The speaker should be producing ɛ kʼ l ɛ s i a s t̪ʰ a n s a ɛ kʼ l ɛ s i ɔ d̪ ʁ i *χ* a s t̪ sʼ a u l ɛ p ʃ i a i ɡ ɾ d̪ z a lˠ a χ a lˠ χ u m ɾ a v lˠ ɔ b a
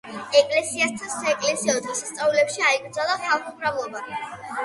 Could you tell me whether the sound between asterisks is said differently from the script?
yes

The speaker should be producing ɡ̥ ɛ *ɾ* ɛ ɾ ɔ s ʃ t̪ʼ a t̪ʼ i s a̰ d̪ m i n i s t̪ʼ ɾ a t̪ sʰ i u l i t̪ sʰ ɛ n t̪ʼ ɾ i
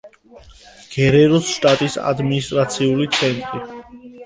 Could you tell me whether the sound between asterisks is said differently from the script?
no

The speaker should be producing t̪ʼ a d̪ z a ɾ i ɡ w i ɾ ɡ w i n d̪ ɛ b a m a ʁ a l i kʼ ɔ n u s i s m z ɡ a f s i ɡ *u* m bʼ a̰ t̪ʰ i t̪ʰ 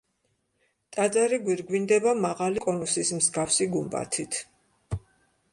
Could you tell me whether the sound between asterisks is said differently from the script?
no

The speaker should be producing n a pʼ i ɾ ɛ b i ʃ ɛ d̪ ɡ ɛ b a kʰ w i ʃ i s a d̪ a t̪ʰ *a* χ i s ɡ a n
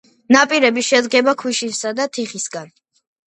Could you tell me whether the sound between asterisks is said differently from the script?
yes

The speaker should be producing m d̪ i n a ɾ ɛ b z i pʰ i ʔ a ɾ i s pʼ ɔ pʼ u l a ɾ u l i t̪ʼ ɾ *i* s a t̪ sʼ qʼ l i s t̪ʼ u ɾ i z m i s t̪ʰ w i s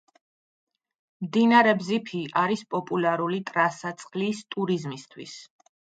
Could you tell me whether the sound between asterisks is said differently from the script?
yes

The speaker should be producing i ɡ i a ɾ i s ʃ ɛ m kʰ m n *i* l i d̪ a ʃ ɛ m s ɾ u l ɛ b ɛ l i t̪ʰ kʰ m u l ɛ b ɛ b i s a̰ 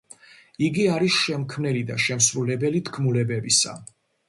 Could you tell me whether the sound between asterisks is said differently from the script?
yes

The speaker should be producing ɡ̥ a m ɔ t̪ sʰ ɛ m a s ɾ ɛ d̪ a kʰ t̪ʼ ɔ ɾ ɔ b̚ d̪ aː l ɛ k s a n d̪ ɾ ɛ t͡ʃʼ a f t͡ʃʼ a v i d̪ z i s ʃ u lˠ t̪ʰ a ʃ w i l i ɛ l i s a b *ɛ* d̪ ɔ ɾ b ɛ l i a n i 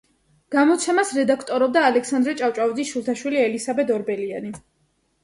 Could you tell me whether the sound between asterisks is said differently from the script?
no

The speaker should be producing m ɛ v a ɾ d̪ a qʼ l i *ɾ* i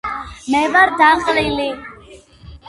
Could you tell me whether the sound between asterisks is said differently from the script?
yes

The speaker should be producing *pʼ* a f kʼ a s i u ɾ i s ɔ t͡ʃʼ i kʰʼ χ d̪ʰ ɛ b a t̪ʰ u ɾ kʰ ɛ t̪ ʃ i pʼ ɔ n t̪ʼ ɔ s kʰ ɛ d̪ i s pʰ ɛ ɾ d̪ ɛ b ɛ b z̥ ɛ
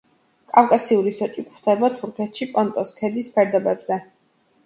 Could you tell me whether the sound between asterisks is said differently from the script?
yes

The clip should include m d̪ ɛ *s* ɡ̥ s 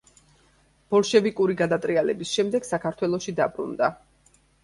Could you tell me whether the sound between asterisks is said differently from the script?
yes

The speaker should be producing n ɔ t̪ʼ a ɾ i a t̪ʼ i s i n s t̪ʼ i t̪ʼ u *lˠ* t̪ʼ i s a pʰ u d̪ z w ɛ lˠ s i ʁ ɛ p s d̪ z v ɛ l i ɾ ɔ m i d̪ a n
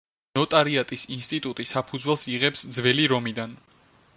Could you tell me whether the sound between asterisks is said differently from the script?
yes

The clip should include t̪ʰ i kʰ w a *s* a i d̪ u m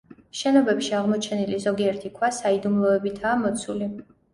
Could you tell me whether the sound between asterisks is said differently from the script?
no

